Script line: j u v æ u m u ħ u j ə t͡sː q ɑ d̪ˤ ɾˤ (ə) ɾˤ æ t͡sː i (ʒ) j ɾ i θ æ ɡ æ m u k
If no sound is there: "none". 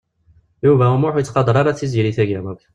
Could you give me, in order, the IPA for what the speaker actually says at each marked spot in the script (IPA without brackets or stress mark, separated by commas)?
ɑ, z